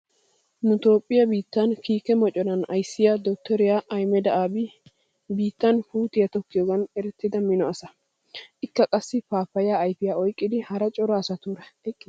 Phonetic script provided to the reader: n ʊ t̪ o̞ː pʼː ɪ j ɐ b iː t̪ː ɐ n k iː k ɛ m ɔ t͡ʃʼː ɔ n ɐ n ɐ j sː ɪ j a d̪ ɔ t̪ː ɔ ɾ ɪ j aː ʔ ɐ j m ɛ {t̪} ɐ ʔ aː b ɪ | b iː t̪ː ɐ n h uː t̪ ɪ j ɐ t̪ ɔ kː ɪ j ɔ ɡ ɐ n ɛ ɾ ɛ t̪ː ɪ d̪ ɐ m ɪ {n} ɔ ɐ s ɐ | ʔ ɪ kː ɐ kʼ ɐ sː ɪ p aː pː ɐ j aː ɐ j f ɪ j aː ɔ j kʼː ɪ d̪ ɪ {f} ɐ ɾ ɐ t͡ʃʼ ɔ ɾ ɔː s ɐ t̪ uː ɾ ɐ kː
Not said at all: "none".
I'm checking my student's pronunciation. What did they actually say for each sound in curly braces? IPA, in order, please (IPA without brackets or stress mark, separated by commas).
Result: d̪, n, h